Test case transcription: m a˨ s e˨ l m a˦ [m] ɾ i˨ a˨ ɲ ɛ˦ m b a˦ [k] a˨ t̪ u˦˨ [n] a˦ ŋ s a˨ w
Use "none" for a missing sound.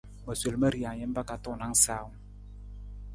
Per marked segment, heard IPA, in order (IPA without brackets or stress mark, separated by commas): none, k, n